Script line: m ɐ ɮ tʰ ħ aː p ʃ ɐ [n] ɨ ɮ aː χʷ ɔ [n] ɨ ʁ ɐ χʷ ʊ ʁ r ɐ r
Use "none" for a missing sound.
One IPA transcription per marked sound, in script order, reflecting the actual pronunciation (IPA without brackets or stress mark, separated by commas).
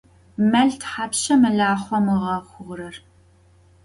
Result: m, m